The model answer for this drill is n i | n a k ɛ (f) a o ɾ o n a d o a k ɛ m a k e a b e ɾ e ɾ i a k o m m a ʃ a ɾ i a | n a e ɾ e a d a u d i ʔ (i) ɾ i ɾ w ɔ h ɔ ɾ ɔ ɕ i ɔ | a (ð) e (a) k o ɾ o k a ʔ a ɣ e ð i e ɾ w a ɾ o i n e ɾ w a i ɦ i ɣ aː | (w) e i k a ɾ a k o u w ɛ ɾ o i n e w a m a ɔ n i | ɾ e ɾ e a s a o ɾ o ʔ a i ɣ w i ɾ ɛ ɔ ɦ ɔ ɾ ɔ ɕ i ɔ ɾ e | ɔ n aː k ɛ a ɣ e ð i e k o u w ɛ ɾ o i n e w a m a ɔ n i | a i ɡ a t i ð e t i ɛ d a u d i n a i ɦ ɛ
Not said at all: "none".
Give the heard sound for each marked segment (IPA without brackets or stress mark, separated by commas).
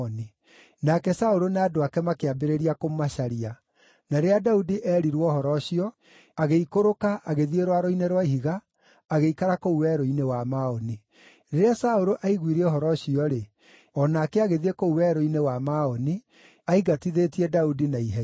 s, ɛ, ɣ, i, ɣ